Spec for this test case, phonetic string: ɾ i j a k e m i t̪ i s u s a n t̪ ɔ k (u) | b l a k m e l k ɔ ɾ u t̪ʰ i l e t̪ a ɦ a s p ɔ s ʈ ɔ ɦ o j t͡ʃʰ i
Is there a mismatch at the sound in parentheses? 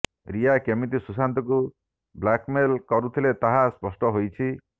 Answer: no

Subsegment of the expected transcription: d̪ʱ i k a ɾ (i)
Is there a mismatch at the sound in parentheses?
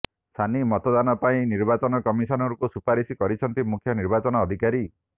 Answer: no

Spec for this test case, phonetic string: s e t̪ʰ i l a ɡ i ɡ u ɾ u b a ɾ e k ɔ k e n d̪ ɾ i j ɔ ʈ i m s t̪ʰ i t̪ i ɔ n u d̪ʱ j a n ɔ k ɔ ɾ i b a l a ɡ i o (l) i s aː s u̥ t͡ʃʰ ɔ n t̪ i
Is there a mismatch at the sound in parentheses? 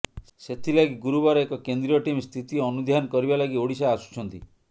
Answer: yes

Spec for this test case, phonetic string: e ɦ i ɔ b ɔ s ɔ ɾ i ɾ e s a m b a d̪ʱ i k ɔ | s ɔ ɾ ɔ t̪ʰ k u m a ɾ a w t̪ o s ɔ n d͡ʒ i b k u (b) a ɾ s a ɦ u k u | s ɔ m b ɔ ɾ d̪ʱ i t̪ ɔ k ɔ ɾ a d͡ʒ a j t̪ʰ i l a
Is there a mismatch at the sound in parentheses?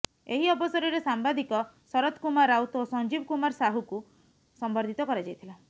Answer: yes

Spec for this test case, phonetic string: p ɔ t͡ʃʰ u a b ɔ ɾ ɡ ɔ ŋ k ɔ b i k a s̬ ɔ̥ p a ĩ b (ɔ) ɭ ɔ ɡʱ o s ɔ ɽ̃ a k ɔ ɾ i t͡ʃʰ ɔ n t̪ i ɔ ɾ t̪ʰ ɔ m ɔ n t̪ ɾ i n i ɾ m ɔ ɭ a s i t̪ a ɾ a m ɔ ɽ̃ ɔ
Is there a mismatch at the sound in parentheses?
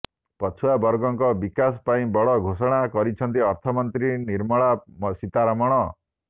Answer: no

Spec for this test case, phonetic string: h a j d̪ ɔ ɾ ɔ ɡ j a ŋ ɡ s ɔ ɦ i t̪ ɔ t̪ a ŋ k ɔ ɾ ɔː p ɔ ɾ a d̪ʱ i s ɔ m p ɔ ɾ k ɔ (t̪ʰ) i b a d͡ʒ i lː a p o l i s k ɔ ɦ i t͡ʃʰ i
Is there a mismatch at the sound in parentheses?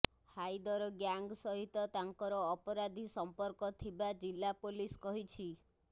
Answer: no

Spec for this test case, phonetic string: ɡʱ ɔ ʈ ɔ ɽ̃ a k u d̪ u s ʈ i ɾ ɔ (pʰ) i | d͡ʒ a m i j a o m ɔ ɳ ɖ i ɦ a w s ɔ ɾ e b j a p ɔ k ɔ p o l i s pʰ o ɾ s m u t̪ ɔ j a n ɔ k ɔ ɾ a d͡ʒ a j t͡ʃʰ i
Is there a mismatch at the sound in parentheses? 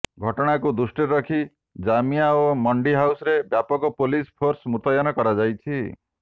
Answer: yes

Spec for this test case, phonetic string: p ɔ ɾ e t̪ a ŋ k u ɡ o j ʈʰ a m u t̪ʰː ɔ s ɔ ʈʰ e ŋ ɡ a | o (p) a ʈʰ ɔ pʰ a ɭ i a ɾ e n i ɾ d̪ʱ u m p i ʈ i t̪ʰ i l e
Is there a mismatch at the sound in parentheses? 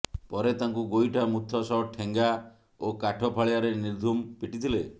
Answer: yes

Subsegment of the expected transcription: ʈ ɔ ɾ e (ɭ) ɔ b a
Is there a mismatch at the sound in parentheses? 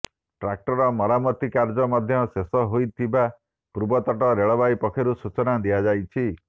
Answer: no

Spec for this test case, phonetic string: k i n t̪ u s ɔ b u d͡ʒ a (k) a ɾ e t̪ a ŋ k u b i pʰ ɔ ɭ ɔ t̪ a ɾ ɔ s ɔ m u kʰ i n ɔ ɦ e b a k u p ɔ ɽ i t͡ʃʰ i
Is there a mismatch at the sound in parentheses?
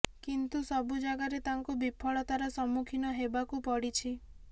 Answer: yes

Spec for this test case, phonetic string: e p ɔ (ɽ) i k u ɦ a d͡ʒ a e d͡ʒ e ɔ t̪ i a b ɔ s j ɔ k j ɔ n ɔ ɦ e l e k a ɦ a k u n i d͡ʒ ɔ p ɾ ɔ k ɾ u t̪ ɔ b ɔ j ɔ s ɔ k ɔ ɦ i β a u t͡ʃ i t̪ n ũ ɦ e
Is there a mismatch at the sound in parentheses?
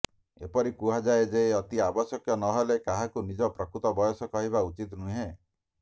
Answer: yes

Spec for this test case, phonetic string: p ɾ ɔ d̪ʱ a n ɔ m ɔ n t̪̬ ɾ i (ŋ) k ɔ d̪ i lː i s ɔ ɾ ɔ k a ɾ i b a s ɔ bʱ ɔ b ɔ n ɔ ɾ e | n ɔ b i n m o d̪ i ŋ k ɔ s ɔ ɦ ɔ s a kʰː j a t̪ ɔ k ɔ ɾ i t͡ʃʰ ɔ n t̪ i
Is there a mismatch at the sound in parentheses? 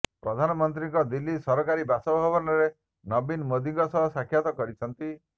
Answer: no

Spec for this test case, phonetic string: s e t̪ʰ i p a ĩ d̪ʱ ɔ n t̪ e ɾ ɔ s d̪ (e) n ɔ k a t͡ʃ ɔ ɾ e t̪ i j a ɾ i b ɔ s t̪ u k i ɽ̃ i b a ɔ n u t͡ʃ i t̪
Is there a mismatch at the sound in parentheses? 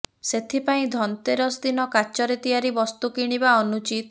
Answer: yes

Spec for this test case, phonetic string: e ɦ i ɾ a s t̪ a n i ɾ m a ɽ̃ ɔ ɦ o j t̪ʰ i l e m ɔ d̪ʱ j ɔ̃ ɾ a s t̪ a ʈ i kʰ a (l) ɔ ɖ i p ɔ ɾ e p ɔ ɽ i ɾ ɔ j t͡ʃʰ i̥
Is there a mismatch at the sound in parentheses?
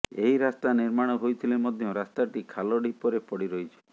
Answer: no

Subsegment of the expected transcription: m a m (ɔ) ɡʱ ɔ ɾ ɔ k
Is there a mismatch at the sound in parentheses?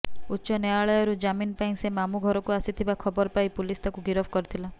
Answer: yes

